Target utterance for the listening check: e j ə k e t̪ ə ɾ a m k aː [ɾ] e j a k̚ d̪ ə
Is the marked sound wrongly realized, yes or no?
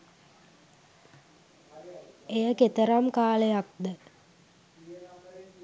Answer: yes